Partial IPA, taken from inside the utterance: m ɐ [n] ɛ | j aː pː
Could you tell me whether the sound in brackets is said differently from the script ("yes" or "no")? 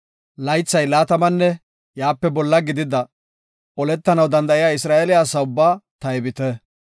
yes